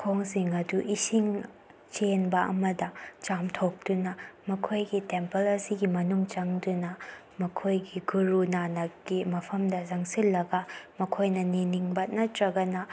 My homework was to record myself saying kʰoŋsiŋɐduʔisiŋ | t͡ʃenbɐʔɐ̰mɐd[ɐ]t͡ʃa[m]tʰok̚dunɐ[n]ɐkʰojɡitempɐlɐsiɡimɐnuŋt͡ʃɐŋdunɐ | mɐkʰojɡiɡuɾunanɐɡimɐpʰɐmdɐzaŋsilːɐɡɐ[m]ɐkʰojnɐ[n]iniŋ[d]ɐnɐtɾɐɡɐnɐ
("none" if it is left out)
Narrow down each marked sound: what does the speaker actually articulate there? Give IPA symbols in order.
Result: ɐ, m, m, m, n, b

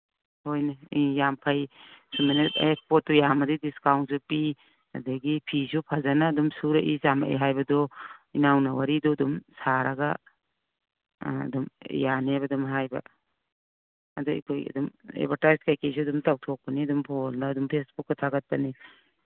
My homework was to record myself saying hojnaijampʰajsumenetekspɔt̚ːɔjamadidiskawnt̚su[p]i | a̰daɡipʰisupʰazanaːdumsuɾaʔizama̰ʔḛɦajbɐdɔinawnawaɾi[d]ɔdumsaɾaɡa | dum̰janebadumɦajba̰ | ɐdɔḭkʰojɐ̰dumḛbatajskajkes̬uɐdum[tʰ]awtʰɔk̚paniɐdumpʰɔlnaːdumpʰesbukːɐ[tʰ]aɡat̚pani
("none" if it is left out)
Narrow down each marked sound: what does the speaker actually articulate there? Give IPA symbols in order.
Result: p, d, t, tʰ

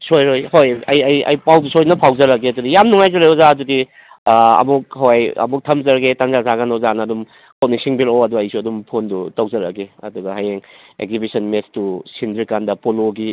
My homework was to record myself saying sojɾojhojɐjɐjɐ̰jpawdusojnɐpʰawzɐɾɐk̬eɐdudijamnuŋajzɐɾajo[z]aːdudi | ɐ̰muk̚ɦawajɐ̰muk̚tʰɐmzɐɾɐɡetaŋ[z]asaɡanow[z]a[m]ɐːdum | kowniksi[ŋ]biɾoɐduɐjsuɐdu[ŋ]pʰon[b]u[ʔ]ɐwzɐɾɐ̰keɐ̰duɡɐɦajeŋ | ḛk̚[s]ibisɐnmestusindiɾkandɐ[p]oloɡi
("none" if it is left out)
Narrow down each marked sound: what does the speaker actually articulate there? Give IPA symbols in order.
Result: z, z, z, n, ŋ, m, d, t, z, p

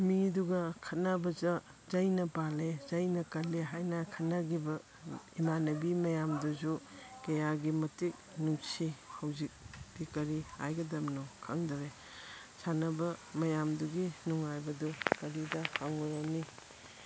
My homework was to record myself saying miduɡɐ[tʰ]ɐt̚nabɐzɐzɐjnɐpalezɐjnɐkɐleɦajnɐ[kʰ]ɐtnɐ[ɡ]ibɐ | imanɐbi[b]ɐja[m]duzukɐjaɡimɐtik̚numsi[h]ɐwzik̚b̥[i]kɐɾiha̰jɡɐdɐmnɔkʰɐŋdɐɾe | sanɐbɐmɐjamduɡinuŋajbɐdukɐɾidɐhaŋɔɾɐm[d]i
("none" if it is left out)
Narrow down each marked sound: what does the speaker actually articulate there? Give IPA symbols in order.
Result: kʰ, kʰ, ɡ, m, m, h, i, n

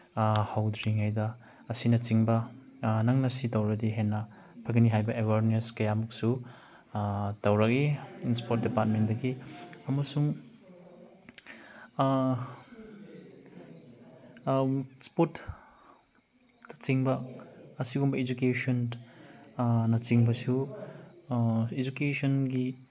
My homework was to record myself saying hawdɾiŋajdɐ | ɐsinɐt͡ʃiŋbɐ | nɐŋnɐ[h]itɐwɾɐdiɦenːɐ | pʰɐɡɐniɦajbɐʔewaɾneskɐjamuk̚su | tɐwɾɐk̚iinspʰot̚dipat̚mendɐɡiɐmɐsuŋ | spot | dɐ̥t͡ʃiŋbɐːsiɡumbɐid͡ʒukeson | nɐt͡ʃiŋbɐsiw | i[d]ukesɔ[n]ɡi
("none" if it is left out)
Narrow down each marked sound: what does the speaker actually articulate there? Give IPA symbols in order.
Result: s, d͡ʒ, n

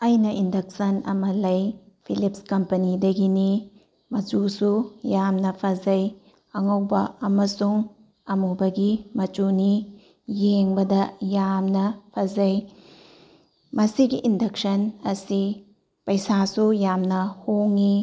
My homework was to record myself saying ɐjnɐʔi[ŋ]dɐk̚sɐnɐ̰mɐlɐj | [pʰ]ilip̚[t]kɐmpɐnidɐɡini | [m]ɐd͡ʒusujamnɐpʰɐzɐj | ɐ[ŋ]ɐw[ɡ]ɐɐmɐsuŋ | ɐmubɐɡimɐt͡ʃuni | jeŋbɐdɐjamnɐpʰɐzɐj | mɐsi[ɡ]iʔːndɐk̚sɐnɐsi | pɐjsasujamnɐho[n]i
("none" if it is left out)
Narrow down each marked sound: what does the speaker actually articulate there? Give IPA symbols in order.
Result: n, pʰ, s, m, ŋ, b, ɡ, ŋ

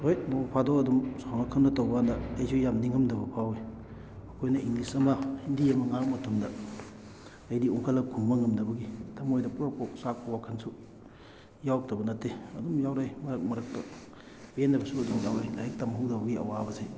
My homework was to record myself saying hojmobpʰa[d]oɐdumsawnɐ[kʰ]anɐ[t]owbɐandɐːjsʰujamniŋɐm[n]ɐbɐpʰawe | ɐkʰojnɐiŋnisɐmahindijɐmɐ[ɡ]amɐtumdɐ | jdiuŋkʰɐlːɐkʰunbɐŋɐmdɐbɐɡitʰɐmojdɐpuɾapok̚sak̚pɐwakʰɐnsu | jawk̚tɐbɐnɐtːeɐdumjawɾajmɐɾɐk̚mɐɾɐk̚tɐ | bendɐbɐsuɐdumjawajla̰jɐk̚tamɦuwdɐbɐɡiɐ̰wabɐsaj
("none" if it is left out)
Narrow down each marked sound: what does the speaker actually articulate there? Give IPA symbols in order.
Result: d, kʰ, t, d, ŋ

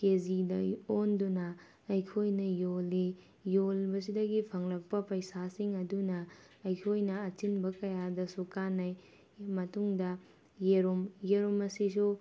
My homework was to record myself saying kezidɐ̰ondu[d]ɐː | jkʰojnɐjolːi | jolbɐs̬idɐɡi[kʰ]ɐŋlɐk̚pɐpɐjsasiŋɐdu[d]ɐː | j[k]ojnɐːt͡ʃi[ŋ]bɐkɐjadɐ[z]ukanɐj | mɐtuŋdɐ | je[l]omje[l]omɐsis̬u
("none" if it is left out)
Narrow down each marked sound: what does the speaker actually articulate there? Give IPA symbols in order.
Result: n, pʰ, n, kʰ, n, s, ɾ, ɾ

